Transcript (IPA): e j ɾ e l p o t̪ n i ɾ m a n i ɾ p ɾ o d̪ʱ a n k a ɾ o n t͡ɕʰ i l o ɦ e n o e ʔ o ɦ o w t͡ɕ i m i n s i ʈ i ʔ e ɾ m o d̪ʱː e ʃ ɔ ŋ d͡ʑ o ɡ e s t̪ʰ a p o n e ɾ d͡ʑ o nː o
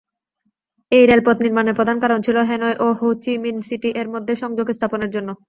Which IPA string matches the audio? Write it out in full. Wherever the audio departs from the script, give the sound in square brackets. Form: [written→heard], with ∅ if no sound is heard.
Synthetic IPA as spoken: e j ɾ e l p o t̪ n i ɾ m a n [i→e] ɾ p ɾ o d̪ʱ a n k a ɾ o n t͡ɕʰ i l o ɦ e n o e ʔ o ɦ o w t͡ɕ i m i n s i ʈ i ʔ e ɾ m o d̪ʱː e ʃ ɔ ŋ d͡ʑ o ɡ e s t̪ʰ a p o n e ɾ d͡ʑ o nː o